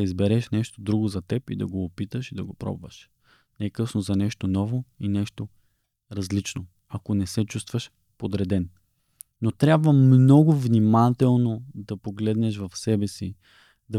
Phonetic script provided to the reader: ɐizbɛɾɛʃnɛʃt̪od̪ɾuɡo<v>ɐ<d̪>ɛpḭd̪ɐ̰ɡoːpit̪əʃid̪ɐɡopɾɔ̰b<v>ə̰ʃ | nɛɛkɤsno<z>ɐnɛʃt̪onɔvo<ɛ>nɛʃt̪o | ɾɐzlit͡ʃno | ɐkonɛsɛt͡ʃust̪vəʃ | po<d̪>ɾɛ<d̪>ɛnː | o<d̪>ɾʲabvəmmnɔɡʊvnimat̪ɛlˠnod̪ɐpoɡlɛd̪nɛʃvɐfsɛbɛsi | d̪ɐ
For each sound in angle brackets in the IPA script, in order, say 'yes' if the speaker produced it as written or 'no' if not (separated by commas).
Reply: no, no, yes, yes, no, yes, yes, no